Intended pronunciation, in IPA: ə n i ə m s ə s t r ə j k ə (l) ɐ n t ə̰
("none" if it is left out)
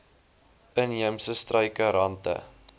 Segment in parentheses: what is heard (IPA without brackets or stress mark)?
ɾ